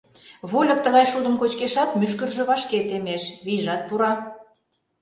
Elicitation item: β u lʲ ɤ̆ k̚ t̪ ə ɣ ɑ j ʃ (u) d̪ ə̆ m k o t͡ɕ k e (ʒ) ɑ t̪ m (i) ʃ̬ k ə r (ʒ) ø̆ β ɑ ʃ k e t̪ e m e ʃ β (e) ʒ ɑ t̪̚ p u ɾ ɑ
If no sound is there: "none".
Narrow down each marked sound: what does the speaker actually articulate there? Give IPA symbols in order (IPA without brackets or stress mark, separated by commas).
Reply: u, ʃ, y, ʒ, i